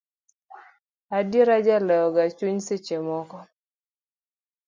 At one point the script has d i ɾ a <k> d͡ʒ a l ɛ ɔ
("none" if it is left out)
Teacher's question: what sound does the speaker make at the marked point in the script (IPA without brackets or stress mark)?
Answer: none